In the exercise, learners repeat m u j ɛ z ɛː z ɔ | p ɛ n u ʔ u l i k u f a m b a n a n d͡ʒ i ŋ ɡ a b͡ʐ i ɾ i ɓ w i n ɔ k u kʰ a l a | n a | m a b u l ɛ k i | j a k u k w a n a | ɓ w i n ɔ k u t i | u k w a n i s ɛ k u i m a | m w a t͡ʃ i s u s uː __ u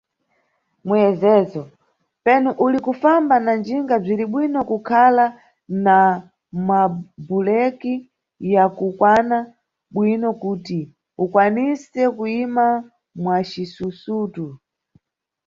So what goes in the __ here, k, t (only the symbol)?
t